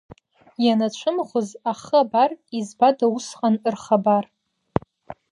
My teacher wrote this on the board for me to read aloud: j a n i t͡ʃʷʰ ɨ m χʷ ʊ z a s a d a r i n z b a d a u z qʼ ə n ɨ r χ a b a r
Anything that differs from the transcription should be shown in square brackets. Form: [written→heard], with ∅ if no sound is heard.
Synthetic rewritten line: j a n [i→a] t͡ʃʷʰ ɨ m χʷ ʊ z a [s→χ] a [d→b] a r i [n→∅] z b a d a u [z→s] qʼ [ə→a] n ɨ r χ a b a r